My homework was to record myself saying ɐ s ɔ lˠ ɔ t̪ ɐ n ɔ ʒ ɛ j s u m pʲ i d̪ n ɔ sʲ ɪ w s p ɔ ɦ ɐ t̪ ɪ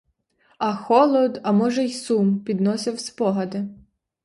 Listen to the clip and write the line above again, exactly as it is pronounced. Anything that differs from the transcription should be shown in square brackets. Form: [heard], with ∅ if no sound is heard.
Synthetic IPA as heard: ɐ [x] ɔ lˠ ɔ [d̪] ɐ [m] ɔ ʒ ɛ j s u m pʲ i d̪ n ɔ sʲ ɪ w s p ɔ ɦ ɐ [d̪] ɪ